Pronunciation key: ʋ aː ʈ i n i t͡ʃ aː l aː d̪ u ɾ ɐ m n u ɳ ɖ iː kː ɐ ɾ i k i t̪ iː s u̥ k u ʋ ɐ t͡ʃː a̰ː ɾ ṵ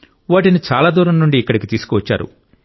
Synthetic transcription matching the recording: ʋ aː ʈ i n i t͡ʃ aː l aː d̪ uː ɾ ɐ m n u ɳ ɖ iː kː ɐ ɽ i k i t̪ iː s u̥ k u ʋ ɐ t͡ʃː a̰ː ɾ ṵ